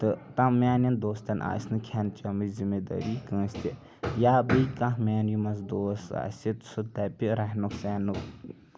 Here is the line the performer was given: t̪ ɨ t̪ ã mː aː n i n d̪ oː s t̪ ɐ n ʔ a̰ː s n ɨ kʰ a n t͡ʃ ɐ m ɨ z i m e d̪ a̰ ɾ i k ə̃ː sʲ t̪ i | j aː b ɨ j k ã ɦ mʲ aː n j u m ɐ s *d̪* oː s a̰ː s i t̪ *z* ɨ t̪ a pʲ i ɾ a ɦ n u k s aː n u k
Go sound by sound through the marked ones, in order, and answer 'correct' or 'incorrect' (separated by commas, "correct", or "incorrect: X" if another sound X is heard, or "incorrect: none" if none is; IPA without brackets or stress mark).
correct, incorrect: s